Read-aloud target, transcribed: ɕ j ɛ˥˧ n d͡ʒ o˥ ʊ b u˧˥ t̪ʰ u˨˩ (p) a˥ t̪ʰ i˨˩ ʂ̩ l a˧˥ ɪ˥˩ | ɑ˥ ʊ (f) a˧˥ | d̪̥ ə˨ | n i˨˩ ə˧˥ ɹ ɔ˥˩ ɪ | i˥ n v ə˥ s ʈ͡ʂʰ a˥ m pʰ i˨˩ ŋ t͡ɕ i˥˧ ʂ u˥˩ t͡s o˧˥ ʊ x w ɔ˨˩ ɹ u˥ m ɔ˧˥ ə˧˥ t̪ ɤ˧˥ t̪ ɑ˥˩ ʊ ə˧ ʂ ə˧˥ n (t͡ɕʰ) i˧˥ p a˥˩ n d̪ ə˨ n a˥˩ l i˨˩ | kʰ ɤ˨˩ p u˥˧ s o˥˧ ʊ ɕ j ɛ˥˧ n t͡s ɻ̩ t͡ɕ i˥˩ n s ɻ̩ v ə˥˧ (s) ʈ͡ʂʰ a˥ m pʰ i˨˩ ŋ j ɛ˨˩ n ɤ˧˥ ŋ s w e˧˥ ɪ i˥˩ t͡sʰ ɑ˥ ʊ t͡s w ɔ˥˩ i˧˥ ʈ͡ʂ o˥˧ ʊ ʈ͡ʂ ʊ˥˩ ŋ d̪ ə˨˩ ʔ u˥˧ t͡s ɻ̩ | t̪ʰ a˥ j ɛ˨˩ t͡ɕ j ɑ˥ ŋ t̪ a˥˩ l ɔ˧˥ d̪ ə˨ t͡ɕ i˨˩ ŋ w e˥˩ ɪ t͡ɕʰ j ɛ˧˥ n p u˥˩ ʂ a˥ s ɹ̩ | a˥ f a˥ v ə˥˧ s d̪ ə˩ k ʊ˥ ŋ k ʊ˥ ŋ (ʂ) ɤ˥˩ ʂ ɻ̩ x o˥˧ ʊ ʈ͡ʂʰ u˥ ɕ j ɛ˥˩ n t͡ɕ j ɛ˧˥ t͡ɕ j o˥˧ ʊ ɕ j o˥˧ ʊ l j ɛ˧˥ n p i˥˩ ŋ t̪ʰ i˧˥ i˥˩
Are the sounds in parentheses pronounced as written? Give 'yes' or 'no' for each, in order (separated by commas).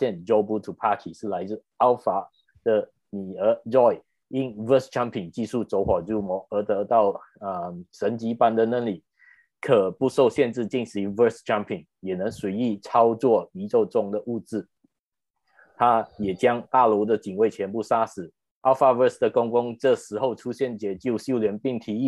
no, yes, no, yes, no